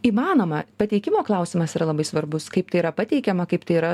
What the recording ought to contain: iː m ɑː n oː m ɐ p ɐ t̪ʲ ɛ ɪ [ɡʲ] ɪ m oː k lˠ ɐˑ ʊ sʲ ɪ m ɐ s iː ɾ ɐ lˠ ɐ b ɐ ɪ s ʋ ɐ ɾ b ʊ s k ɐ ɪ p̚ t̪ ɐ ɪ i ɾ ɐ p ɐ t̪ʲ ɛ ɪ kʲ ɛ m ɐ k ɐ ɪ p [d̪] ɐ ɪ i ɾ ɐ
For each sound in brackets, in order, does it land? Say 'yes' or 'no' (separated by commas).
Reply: no, no